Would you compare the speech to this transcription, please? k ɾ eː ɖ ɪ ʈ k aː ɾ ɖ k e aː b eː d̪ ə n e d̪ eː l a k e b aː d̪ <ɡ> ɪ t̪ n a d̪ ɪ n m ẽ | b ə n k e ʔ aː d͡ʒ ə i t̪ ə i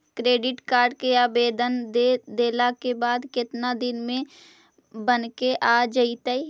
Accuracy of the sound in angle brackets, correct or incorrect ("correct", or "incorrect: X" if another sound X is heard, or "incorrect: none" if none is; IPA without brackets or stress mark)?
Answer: incorrect: k